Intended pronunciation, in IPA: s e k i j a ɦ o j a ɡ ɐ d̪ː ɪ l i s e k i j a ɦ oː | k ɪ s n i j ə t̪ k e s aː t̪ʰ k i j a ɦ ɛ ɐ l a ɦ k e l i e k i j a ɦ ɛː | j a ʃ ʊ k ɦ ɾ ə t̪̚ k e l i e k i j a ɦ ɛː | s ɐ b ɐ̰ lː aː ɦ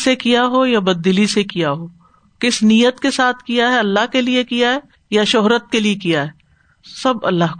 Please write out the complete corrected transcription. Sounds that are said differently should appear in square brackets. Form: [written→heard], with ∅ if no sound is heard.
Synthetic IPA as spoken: s e k i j a ɦ o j a [ɡ→b] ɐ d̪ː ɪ l i s e k i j a ɦ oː | k ɪ s n i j ə t̪ k e s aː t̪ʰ k i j a ɦ ɛ ɐ [l→lː] a ɦ k e l i e k i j a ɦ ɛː | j a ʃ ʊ [k→∅] ɦ ɾ ə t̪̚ k e l i e k i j a ɦ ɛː | s ɐ b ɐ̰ lː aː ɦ